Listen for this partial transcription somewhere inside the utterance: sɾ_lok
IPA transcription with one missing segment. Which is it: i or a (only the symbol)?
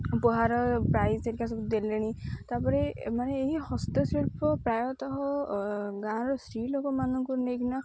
i